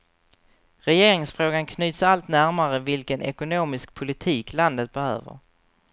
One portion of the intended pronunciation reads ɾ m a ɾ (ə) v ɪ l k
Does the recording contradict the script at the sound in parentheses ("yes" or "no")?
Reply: no